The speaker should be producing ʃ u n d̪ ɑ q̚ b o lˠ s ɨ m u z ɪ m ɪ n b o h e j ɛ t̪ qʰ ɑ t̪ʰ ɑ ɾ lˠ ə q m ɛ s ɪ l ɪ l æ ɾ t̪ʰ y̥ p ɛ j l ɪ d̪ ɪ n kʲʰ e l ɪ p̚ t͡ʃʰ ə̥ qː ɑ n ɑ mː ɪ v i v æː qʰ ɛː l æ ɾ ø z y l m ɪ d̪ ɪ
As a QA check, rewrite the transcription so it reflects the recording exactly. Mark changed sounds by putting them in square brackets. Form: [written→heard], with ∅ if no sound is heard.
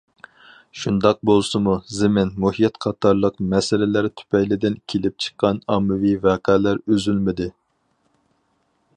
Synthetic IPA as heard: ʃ u n d̪ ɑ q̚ b o lˠ s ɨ m u z ɪ m ɪ n [b→m] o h [e→i] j ɛ t̪ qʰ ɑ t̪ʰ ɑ ɾ lˠ ə q m ɛ s ɪ l ɪ l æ ɾ t̪ʰ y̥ p ɛ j l ɪ d̪ ɪ n kʲʰ e l ɪ p̚ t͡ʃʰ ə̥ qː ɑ n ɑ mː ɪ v i v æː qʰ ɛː l æ ɾ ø z y l m ɪ d̪ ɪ